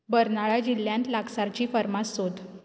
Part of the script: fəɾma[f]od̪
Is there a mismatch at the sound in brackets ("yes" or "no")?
yes